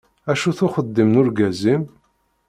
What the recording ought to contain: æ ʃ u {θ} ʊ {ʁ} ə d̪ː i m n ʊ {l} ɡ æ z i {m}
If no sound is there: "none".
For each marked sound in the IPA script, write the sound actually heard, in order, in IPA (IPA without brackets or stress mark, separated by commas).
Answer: θ, χ, ɾ, m